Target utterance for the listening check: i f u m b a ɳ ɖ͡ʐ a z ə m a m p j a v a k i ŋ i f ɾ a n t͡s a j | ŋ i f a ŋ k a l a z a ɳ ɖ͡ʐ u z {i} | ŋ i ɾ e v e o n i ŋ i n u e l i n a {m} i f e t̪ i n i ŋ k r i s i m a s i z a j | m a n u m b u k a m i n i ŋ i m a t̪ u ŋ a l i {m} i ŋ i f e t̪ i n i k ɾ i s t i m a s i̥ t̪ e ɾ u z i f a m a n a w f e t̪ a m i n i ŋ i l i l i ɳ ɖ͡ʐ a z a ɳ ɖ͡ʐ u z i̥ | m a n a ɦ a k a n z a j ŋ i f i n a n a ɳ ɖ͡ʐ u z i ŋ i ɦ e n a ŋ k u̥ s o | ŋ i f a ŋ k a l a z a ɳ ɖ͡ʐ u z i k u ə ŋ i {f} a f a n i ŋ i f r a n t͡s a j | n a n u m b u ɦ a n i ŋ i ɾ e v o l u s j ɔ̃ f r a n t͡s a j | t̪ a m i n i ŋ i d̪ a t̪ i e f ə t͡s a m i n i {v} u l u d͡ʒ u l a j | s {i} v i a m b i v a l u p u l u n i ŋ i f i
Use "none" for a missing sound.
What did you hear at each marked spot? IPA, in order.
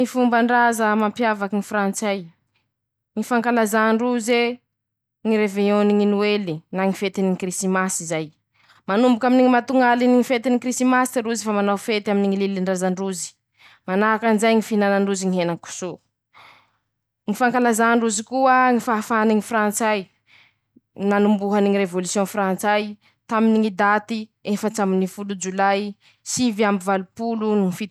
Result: e, ŋ, n, f, f, i

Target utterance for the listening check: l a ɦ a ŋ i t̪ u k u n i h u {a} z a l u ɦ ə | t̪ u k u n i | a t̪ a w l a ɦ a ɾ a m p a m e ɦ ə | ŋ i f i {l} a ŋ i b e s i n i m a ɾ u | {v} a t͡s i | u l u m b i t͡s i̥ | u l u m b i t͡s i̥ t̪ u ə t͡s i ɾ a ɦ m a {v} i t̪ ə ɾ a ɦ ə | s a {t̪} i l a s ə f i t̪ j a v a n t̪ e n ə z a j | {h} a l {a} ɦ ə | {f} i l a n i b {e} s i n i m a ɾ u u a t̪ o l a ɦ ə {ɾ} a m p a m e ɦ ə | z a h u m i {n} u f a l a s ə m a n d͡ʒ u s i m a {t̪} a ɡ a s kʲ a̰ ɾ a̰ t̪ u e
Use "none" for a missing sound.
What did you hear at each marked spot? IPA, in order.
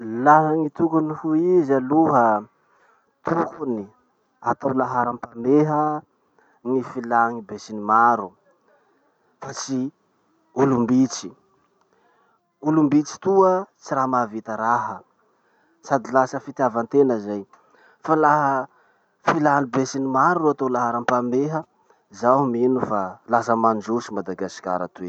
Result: i, l, f, v, d̪, f, a, f, e, ɾ, n, d̪

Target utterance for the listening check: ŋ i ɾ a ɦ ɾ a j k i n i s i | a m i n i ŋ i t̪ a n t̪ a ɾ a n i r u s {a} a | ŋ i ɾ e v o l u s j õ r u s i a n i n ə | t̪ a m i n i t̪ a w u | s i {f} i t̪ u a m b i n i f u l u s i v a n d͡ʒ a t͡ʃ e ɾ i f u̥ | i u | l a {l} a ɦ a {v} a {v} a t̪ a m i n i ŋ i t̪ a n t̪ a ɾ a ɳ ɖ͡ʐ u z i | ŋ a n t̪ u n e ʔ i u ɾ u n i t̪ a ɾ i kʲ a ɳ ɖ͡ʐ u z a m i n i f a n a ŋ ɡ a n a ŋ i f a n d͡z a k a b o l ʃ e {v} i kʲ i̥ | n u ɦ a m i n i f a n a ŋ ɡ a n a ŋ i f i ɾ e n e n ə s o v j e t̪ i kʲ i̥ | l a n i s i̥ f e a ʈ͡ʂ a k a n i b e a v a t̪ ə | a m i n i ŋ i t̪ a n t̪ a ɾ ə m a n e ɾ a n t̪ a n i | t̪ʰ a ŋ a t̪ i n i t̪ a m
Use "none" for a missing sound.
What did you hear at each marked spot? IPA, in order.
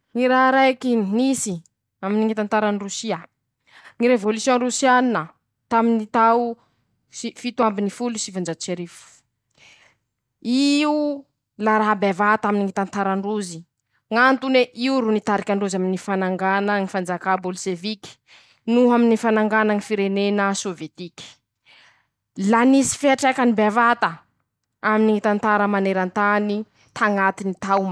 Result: i, f, ɾ, b, v, v

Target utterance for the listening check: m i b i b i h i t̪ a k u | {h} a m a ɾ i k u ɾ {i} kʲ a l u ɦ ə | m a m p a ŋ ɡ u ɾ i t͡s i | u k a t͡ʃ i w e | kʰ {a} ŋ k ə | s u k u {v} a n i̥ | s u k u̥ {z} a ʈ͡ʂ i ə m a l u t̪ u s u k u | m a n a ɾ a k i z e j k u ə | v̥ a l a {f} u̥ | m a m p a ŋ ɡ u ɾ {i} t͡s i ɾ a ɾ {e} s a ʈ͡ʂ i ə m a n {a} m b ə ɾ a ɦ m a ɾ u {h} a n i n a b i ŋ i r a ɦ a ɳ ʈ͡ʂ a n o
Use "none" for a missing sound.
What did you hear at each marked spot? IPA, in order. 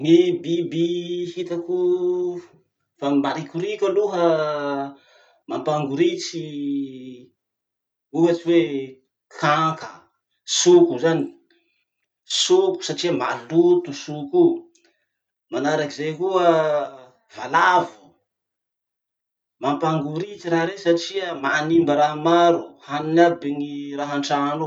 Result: f, i, a, z, s, v, i, e, i, h

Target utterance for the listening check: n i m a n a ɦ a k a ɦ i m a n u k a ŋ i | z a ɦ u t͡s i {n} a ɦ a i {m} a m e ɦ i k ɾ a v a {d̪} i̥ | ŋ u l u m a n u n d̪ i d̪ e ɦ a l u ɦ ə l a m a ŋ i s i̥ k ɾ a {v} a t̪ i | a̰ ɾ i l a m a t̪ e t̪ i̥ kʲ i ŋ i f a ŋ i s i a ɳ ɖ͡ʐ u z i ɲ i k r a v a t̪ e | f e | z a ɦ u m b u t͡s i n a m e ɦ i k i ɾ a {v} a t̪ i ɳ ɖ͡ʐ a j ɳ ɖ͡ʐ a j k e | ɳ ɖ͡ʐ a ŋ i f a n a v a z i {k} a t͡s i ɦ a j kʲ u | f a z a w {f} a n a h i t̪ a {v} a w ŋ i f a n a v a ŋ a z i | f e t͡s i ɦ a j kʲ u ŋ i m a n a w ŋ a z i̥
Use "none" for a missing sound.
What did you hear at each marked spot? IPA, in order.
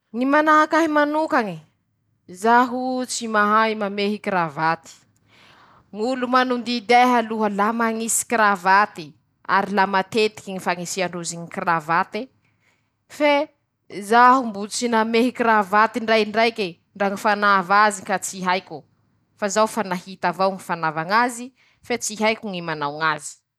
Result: m, m, t̪, v, v, k, f, v

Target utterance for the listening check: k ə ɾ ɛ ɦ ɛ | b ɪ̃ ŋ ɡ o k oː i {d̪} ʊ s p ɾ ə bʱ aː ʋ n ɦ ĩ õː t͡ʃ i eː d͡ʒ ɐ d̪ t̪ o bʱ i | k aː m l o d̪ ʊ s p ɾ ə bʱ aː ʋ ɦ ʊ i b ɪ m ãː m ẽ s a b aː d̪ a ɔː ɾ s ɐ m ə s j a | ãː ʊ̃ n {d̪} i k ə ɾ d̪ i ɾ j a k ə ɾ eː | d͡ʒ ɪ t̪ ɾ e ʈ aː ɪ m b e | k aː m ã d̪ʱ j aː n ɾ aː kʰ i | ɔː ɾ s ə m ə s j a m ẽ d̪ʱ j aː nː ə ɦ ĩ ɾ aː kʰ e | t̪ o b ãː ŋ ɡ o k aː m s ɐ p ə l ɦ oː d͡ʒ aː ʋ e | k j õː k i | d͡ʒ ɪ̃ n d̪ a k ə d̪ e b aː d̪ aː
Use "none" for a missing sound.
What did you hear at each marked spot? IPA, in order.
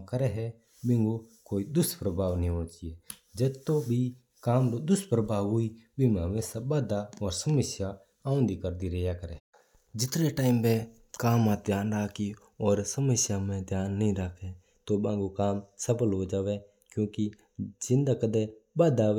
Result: d̪, d̪

